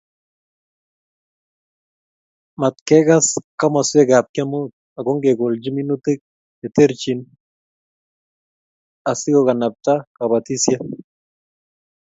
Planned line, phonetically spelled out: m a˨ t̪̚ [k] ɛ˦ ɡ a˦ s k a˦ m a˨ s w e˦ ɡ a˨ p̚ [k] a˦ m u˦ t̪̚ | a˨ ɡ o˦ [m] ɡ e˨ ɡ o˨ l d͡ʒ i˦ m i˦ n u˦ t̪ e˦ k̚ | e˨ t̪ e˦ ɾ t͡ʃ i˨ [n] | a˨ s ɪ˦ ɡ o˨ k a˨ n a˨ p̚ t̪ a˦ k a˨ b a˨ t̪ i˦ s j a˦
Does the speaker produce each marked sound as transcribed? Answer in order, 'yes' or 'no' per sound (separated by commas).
yes, yes, no, yes